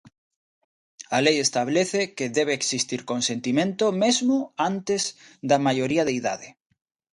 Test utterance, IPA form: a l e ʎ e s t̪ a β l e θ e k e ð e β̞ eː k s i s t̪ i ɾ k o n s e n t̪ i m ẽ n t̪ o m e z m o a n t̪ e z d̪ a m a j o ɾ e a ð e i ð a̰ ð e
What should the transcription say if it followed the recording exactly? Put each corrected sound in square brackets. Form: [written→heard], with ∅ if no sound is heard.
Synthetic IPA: a l e [ʎ→j] e s t̪ a β l e θ e k e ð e β̞ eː k s i s t̪ i ɾ k o n s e n t̪ i m ẽ n t̪ o m e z m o a n t̪ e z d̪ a m a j o ɾ [e→i] a ð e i ð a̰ ð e